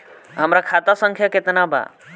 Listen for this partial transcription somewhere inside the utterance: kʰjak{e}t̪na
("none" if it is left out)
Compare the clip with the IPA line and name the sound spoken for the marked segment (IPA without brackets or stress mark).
e